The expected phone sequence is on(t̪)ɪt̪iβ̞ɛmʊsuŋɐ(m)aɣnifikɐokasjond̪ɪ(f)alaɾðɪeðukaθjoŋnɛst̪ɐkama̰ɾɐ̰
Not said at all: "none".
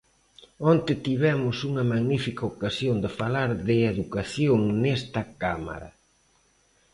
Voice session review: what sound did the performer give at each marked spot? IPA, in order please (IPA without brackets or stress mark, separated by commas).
t̪, m, f